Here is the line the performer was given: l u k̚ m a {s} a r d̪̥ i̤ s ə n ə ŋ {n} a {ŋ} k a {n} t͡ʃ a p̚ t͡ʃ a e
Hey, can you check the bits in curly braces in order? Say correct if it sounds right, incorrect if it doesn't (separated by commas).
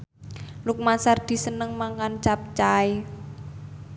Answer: correct, incorrect, correct, correct